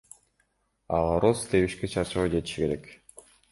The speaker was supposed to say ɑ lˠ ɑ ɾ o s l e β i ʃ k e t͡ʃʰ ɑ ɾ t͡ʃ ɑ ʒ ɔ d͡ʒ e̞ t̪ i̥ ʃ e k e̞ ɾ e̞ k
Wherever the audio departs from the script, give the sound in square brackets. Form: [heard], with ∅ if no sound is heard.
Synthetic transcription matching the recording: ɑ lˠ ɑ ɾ o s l e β i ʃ k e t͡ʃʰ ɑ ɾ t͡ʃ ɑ [ʁ] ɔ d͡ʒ e̞ t̪ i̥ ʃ [i] k e̞ ɾ e̞ k